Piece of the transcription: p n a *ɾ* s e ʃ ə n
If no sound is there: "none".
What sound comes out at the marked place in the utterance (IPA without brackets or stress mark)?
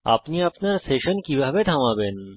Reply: ɾ